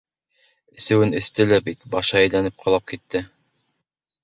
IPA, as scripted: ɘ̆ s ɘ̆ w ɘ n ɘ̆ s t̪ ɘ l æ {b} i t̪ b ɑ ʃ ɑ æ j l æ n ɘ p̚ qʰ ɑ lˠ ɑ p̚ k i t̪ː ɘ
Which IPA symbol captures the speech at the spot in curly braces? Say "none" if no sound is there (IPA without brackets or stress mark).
b